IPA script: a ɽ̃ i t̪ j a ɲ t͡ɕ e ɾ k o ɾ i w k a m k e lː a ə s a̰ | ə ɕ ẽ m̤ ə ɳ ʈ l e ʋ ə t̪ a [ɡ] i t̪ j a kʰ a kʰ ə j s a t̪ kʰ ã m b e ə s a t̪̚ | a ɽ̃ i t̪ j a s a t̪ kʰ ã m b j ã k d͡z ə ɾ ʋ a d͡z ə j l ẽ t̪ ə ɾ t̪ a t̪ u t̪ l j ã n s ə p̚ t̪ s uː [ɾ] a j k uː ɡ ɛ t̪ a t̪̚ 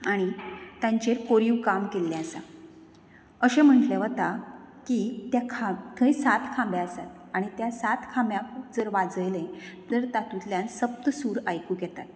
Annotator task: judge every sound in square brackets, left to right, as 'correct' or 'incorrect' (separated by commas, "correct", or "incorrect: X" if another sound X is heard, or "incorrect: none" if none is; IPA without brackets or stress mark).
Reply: incorrect: k, correct